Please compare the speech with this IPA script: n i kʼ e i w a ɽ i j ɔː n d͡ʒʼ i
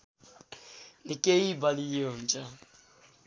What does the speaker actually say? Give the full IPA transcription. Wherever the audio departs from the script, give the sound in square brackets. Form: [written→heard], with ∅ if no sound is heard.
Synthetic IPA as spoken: n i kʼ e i [w→b] a [ɽ→l] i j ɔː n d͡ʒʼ [i→a]